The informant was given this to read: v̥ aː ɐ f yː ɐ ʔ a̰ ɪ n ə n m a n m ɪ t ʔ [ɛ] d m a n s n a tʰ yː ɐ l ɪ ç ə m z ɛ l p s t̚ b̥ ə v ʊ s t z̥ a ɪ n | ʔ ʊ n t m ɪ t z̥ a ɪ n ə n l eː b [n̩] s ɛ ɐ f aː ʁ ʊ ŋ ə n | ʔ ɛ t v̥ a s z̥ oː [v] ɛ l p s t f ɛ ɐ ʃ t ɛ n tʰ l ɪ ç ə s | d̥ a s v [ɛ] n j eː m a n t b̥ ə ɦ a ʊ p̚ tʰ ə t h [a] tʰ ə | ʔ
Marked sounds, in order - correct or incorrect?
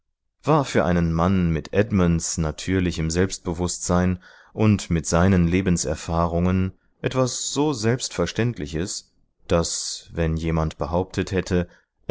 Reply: correct, correct, incorrect: z, correct, incorrect: ɛ

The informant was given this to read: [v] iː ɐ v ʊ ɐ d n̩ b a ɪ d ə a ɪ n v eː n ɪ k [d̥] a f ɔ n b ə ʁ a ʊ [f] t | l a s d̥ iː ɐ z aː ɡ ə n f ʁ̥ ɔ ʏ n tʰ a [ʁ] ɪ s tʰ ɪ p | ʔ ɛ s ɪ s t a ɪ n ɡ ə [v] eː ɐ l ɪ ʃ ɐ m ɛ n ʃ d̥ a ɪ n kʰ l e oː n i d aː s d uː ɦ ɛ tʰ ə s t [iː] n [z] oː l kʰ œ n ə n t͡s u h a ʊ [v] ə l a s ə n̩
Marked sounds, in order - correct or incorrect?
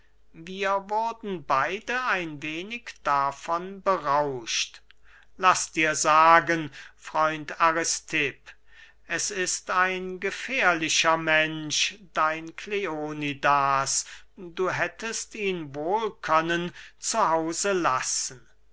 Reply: correct, correct, incorrect: ʃ, correct, incorrect: f, correct, incorrect: v, incorrect: z

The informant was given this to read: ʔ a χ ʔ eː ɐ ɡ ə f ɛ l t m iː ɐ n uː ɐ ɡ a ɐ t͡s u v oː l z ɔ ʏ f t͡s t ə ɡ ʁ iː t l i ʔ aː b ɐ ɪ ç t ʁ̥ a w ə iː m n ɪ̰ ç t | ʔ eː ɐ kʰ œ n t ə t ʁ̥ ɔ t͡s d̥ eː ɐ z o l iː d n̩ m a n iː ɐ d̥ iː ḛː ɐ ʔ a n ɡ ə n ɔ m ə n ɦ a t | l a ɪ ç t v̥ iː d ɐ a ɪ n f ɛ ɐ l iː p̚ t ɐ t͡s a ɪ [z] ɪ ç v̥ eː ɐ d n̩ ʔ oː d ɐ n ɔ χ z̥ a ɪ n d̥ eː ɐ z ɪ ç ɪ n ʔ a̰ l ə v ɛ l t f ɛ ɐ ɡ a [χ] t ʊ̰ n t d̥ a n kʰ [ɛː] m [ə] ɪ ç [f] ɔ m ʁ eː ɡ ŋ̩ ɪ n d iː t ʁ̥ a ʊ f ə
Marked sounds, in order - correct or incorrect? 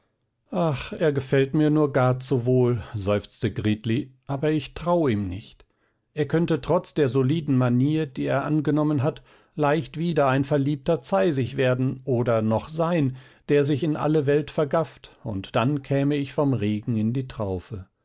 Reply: correct, incorrect: f, correct, correct, correct

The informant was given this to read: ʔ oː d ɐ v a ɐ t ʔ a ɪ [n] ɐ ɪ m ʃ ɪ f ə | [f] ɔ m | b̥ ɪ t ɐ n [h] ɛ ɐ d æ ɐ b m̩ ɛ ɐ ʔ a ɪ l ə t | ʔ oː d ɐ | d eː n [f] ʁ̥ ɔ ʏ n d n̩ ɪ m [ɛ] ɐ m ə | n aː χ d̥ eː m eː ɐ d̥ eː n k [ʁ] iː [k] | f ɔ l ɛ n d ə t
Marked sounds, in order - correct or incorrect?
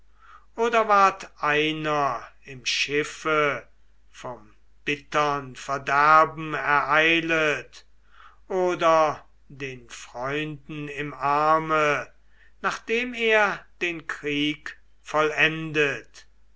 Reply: correct, correct, incorrect: f, correct, incorrect: a, correct, correct

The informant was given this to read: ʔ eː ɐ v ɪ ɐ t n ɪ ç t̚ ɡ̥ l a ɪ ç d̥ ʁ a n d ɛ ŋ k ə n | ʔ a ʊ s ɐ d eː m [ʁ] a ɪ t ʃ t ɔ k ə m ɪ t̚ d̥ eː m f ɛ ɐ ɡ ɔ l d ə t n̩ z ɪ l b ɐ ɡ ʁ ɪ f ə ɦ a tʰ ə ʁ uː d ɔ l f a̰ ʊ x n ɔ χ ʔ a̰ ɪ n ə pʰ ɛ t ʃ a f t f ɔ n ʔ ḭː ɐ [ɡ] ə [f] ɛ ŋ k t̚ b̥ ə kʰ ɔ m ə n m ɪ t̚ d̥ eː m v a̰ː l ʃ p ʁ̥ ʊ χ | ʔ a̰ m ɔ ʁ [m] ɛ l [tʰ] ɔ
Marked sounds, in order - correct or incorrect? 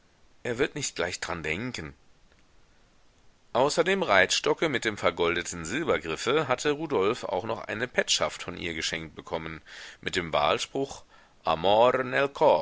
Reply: correct, correct, incorrect: ʃ, incorrect: n, incorrect: kʰ

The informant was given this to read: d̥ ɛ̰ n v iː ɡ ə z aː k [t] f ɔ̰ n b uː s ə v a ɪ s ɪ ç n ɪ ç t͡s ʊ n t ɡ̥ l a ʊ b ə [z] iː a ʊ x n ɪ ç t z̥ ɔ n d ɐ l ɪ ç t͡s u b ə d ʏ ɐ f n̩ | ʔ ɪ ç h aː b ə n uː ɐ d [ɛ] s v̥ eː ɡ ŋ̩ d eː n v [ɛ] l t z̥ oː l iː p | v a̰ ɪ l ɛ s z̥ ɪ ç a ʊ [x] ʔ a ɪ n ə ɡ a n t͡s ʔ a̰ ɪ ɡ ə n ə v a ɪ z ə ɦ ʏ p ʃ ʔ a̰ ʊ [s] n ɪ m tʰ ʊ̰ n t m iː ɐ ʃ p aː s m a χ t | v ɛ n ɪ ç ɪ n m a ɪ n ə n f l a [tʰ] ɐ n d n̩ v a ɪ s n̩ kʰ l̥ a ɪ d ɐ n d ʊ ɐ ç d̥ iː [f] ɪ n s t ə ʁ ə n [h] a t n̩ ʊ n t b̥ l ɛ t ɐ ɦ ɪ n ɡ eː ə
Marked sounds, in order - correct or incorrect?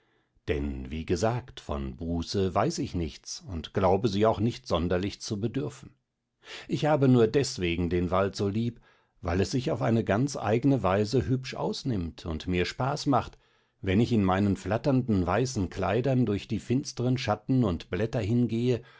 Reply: correct, correct, correct, incorrect: a, incorrect: f, correct, incorrect: t, correct, incorrect: ʃ

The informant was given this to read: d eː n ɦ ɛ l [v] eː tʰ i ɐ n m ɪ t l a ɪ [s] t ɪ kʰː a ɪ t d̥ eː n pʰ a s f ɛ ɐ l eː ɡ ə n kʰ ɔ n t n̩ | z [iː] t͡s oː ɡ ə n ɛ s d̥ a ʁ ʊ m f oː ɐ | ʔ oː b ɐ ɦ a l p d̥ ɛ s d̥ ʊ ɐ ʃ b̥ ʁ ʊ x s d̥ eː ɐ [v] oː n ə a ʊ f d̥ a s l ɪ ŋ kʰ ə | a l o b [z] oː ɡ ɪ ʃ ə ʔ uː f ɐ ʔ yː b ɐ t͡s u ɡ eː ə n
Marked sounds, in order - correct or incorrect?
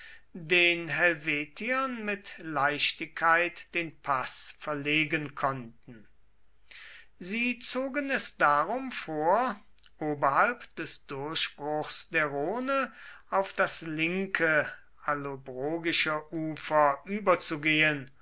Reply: correct, incorrect: ʃ, correct, incorrect: ʁ, incorrect: ʁ

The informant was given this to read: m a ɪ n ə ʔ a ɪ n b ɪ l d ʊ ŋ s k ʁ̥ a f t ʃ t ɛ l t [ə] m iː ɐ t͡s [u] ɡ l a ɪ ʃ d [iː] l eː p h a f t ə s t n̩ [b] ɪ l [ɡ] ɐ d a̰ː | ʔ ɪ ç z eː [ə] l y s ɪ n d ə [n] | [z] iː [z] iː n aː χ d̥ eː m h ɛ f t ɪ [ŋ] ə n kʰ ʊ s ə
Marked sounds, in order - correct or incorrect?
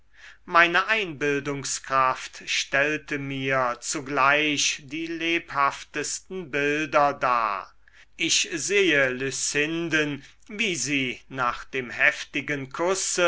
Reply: correct, correct, correct, correct, incorrect: d, correct, correct, incorrect: v, correct, incorrect: ɡ

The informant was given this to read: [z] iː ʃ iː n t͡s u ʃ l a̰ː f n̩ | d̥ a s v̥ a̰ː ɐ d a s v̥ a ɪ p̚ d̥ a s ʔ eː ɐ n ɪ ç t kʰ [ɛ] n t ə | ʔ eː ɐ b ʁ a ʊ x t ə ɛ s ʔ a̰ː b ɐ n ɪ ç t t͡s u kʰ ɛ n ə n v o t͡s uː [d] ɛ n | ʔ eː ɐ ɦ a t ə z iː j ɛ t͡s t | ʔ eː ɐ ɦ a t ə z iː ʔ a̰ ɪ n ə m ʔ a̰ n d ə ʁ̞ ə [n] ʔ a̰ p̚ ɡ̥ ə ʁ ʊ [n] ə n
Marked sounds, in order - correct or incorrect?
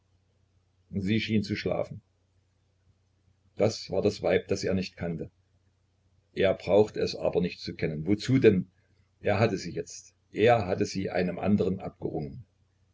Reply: correct, incorrect: a, correct, correct, incorrect: ŋ

